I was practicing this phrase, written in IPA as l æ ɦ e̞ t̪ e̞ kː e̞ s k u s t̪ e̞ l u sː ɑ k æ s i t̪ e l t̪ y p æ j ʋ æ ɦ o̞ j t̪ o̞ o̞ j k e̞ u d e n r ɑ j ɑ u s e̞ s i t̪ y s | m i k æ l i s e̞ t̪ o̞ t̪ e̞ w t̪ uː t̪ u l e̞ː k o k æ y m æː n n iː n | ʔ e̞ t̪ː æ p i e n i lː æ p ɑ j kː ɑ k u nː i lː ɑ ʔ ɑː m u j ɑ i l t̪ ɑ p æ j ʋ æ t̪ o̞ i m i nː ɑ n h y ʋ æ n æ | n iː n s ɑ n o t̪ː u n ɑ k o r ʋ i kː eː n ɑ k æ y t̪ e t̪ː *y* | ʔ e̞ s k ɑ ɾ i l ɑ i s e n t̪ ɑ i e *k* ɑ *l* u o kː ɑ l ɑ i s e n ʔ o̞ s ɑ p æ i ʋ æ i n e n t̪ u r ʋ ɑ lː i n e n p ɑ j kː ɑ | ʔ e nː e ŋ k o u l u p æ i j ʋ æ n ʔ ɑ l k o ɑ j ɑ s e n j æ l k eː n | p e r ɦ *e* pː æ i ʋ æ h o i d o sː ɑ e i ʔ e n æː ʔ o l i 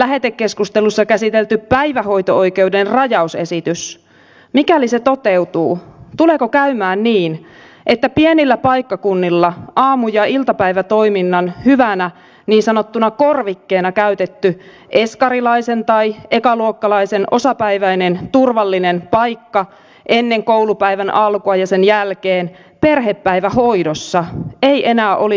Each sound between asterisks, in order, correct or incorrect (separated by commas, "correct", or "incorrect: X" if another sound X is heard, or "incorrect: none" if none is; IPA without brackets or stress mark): correct, correct, correct, correct